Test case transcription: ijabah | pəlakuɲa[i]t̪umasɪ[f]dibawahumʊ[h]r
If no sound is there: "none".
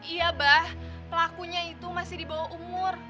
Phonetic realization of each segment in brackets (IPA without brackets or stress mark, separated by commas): i, h, none